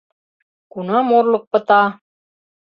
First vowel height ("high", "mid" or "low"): high